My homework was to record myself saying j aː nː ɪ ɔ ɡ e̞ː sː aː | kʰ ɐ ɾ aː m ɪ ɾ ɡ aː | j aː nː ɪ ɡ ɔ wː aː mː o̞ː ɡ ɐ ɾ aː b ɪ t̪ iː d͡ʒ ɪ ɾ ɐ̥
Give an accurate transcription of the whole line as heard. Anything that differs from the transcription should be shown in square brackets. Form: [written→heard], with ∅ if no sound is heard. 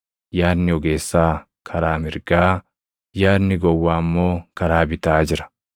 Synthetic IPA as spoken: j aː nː ɪ ɔ ɡ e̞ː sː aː | kʰ ɐ ɾ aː m ɪ ɾ ɡ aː | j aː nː ɪ ɡ ɔ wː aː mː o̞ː [ɡ→k] ɐ ɾ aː b ɪ t̪ [iː→aː] d͡ʒ ɪ ɾ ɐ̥